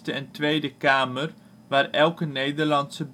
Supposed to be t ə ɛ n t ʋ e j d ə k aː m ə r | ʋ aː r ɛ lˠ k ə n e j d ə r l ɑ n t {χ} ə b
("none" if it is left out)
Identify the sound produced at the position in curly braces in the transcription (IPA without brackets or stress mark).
s